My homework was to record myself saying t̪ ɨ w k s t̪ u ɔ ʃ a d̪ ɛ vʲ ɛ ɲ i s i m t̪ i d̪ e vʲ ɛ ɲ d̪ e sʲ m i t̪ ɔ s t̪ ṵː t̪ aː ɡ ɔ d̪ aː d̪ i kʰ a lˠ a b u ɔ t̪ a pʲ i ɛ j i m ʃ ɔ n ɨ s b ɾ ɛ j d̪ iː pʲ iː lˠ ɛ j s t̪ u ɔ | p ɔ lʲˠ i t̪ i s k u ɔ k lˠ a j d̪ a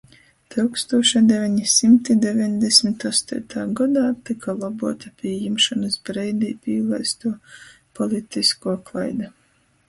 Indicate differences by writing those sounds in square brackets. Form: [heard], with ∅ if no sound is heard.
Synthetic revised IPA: t̪ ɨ w k s t̪ u ɔ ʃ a d̪ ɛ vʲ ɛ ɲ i s i m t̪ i d̪ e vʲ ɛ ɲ d̪ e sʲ m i t̪ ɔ s t̪ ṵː t̪ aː ɡ ɔ d̪ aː [t̪] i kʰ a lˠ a b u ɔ t̪ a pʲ i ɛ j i m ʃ ɔ n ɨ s b ɾ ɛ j d̪ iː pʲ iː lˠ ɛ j s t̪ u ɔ | p ɔ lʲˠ i t̪ i s k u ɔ k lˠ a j d̪ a